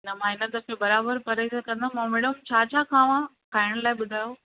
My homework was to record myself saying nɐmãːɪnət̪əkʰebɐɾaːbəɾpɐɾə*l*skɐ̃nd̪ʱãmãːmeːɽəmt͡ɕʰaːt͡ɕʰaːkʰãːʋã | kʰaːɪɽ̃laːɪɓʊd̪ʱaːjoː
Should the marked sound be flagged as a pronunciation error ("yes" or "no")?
yes